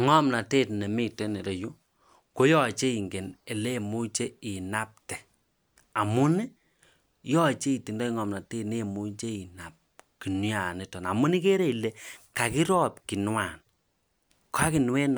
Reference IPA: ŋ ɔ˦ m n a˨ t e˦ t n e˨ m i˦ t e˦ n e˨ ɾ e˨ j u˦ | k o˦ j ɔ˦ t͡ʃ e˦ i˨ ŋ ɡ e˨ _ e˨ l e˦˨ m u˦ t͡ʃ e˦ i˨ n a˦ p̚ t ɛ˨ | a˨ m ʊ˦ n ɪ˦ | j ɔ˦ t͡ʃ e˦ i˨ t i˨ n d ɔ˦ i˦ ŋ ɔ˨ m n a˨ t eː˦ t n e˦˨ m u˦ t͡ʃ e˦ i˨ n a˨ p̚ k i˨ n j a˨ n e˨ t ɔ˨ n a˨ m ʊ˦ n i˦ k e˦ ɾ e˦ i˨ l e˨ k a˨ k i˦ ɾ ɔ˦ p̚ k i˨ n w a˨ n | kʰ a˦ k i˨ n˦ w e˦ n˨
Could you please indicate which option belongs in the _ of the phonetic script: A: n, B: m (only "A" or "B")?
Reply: A